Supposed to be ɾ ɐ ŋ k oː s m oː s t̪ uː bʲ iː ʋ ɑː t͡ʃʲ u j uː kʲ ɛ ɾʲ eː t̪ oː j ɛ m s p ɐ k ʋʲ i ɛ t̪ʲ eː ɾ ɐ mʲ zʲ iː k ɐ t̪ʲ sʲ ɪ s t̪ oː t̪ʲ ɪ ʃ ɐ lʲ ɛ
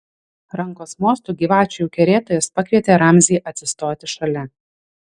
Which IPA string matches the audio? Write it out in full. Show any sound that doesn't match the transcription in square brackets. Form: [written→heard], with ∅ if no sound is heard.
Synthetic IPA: ɾ ɐ ŋ k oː s m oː s t̪ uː [bʲ→ɡʲ] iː ʋ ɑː t͡ʃʲ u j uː kʲ ɛ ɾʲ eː t̪ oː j ɛ [m→∅] s p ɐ k ʋʲ i ɛ t̪ʲ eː ɾ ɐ mʲ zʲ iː [k→ʔ] ɐ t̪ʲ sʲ ɪ s t̪ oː t̪ʲ ɪ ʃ ɐ lʲ ɛ